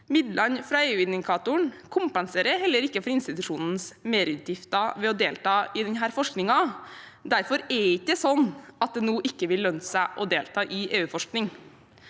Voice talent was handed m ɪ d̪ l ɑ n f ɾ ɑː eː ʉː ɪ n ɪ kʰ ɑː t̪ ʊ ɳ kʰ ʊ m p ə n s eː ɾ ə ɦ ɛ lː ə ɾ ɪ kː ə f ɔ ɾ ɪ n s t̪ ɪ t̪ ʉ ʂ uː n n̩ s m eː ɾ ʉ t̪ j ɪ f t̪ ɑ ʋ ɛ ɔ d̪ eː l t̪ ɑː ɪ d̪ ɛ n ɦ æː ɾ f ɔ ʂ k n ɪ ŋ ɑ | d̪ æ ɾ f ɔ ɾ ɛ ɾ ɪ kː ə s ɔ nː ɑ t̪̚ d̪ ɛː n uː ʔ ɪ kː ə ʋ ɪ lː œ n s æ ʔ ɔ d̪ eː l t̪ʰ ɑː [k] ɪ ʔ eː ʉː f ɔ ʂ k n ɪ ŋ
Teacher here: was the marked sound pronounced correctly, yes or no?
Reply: no